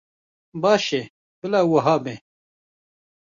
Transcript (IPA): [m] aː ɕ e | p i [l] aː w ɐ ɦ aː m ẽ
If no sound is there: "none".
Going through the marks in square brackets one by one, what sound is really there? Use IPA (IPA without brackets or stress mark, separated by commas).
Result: b, l